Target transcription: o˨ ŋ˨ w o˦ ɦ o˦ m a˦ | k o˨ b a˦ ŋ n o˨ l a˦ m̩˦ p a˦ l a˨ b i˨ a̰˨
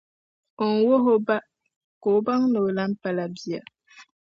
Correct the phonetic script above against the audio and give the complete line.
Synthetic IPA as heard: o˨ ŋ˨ w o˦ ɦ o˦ b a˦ | k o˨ b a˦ ŋ n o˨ l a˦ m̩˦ p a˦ l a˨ b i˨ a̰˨